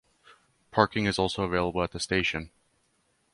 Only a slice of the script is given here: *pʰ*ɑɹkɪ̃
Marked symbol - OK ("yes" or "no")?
yes